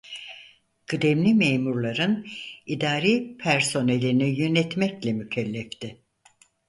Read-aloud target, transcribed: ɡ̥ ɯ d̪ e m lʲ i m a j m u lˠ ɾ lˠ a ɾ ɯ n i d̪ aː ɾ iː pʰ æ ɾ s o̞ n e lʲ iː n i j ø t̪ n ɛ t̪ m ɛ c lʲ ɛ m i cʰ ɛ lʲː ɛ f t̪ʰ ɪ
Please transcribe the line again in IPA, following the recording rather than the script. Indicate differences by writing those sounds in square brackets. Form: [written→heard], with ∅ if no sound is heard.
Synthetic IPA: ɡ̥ ɯ d̪ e m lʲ i m [a→e] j m u [lˠ→∅] ɾ lˠ a ɾ ɯ n i d̪ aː ɾ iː pʰ æ ɾ s o̞ n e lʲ [iː→i] n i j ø [t̪→∅] n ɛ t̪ m ɛ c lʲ ɛ m [i→y] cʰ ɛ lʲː ɛ f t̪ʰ ɪ